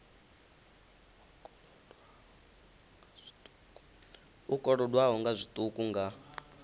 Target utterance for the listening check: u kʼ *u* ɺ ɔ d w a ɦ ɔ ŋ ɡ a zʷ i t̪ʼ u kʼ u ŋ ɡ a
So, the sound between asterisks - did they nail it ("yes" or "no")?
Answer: no